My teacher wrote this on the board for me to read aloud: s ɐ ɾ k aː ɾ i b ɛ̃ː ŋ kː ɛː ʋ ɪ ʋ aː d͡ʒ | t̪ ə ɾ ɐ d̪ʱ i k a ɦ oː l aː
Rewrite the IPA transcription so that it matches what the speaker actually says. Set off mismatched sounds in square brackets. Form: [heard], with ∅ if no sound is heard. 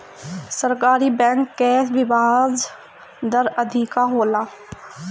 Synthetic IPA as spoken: s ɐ ɾ k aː ɾ i b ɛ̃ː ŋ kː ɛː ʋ ɪ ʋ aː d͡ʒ | [d̪] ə ɾ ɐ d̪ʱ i k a ɦ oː l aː